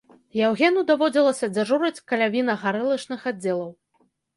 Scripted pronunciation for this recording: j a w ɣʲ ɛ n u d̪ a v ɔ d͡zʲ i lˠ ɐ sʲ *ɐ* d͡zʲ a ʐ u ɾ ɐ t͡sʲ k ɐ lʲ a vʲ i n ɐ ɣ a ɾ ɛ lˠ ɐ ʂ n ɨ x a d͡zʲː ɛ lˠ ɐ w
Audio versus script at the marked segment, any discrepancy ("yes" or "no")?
no